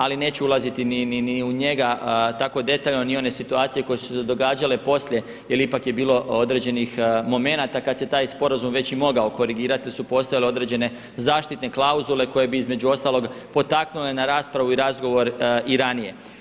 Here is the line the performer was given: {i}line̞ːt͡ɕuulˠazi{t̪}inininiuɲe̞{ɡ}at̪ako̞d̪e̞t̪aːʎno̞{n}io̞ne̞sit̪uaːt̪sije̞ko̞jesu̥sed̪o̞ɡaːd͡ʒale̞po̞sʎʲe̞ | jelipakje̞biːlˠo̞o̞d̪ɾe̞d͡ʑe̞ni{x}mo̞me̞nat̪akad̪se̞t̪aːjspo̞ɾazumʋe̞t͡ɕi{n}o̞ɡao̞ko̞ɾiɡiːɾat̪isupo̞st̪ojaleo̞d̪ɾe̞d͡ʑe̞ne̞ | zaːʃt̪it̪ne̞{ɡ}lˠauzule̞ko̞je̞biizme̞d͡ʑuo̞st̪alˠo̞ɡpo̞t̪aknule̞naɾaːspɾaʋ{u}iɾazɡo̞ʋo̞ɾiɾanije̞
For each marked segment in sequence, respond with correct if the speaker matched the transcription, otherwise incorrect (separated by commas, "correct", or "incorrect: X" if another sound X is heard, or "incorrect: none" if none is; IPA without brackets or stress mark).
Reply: incorrect: a, correct, correct, correct, correct, incorrect: m, incorrect: k, correct